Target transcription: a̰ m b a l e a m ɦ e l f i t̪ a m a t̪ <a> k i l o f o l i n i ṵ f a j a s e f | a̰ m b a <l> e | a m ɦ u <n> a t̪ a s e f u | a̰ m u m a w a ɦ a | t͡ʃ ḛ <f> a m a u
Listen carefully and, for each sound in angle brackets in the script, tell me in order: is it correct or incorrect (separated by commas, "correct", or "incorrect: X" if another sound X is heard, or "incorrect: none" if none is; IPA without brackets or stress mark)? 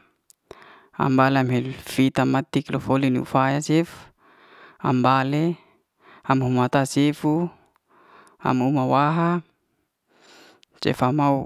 incorrect: i, correct, incorrect: m, correct